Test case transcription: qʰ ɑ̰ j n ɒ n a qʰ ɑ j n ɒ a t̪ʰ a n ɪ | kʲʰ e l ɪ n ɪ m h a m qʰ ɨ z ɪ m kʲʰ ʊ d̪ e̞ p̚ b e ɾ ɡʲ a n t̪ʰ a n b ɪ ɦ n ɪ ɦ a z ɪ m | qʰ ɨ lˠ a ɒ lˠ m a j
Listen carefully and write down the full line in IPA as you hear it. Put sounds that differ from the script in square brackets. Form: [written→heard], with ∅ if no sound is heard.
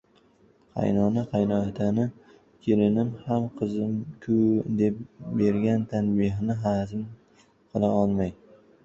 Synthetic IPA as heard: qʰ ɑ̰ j n ɒ n a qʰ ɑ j n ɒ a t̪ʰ a n ɪ | kʲʰ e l ɪ n ɪ m h a m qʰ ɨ z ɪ m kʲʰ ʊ d̪ e̞ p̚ b e ɾ ɡʲ a n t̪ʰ a n b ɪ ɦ n ɪ ɦ a z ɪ m | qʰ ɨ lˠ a ɒ lˠ m a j